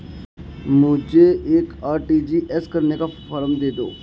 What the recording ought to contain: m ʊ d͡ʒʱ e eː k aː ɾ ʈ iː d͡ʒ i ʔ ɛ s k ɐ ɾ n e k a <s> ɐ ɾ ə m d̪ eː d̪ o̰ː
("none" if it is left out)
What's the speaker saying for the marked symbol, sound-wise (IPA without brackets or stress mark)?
f